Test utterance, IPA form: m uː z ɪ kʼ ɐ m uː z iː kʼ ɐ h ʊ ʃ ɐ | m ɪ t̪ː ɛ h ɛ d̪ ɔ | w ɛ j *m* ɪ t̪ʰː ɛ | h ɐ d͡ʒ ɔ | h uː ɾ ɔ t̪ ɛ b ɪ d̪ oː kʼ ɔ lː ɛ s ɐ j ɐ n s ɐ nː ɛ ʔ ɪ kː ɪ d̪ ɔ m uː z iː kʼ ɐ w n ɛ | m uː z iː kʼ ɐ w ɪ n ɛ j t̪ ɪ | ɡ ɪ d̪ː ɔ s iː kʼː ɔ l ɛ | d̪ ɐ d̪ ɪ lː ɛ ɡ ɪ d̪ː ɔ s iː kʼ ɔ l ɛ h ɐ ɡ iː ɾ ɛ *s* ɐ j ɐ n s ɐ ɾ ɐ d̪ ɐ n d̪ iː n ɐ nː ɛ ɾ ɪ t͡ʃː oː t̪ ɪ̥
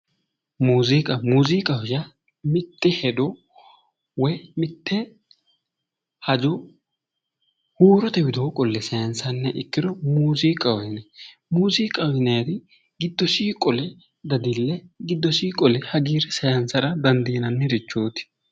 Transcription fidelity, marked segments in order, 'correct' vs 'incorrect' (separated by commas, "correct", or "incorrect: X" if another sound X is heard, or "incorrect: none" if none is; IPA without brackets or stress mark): correct, correct